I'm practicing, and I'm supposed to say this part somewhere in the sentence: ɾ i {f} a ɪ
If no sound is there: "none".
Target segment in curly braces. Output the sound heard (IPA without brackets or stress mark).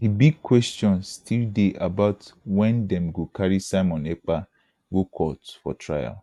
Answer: s